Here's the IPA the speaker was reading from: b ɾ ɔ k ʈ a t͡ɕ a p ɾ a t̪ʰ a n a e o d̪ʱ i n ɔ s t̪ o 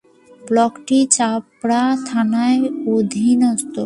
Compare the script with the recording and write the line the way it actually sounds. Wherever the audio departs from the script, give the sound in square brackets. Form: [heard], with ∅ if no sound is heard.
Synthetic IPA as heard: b [l] ɔ k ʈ [i] t͡ɕ a p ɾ a t̪ʰ a n a e o d̪ʱ i n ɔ s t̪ o